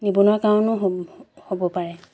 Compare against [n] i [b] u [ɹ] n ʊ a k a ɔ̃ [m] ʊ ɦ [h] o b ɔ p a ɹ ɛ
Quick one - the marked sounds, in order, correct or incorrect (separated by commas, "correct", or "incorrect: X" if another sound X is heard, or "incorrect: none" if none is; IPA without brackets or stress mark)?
correct, correct, incorrect: none, incorrect: n, correct